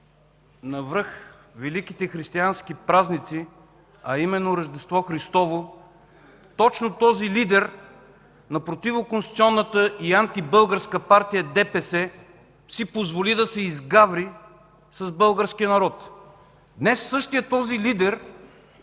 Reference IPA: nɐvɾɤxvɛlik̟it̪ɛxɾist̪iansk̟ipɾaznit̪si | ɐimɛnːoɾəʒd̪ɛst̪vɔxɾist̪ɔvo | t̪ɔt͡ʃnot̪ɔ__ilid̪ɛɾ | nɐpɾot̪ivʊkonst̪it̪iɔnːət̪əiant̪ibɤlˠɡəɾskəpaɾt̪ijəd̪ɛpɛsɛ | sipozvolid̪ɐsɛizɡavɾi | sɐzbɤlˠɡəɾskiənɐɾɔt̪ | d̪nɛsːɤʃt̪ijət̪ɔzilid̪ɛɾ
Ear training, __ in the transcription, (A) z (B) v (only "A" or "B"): A